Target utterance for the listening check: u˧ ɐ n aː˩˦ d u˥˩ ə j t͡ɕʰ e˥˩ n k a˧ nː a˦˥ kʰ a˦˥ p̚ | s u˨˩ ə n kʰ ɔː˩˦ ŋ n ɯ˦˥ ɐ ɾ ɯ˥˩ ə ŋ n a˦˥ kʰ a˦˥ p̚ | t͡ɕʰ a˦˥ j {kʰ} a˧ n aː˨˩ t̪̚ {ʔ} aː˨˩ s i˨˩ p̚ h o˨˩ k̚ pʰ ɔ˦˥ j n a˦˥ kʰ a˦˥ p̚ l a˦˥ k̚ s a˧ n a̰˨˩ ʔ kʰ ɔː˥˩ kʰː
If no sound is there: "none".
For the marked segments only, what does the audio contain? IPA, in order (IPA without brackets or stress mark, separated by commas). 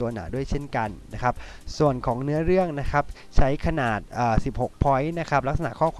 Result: kʰ, ʔ